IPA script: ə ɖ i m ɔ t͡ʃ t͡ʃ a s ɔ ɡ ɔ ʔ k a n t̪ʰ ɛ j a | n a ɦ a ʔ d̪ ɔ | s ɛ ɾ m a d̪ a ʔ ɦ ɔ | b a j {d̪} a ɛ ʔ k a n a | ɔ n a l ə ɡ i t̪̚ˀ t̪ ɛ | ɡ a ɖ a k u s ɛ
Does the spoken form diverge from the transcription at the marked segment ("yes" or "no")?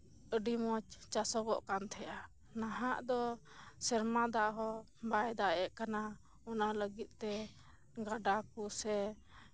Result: no